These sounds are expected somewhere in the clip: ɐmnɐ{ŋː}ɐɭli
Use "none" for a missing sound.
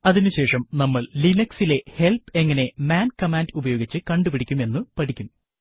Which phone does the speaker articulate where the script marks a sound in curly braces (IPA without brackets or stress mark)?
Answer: mː